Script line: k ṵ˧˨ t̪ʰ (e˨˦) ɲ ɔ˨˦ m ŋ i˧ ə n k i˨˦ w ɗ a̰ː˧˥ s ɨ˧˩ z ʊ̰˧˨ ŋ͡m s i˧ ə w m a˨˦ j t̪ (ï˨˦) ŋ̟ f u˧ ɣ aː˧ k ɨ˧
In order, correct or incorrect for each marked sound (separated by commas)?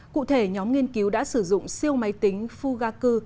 incorrect, correct